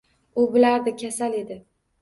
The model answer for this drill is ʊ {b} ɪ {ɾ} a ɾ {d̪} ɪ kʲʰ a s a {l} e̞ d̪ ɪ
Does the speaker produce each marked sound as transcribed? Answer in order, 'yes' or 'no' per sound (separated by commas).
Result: yes, no, yes, yes